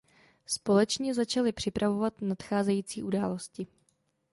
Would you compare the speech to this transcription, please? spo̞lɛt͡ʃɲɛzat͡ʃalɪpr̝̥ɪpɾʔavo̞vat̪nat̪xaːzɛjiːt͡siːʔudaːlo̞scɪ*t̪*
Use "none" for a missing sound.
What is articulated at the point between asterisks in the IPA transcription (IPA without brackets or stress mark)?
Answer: none